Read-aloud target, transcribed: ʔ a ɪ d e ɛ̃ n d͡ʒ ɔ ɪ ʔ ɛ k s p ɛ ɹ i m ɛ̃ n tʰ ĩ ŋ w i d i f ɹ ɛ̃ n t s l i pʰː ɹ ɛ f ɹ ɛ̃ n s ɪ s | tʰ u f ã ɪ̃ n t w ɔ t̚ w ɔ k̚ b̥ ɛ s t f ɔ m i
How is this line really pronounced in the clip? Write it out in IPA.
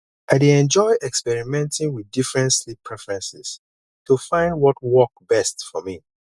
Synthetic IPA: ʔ a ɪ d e ɛ̃ n d͡ʒ ɔ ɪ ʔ ɛ k s p ɛ ɹ i m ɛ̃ n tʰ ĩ ŋ w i d i f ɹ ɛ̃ n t s l i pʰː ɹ ɛ f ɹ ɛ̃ n s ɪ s | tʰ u f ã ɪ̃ n d w ɔ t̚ w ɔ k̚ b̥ ɛ s t f ɔ m i